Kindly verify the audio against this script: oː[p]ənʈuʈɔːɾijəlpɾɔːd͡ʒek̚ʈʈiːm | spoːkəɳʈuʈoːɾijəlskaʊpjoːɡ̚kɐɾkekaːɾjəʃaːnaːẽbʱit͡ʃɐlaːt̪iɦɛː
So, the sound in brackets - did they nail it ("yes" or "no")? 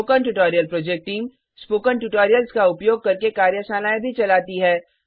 no